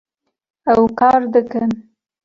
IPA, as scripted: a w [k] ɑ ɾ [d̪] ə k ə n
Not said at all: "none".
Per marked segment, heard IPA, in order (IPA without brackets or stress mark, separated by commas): k, d̪